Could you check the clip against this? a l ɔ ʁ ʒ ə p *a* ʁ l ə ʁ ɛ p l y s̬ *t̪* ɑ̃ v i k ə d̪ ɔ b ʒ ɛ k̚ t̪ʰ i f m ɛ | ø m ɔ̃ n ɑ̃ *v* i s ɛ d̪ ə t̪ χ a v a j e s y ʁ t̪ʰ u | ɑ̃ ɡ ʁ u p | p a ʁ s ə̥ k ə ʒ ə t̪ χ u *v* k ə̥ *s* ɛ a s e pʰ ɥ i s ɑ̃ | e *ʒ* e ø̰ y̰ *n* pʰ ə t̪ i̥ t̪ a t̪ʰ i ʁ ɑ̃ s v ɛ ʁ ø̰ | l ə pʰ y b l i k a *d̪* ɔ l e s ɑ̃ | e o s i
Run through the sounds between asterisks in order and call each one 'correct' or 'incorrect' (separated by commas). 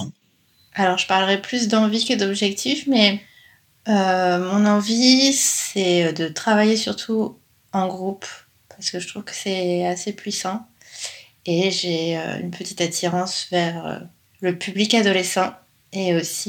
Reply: correct, incorrect, correct, correct, correct, correct, correct, correct